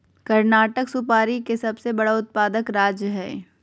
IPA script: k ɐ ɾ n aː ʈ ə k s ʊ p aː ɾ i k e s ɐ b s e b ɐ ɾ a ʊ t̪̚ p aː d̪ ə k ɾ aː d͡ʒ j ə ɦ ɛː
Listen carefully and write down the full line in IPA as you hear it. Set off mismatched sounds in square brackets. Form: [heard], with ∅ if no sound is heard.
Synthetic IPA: k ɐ ɾ n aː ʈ ə k s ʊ p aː ɾ i k e s ɐ b s e b ɐ [ɽ] a ʊ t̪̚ p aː d̪ ə k ɾ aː d͡ʒ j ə ɦ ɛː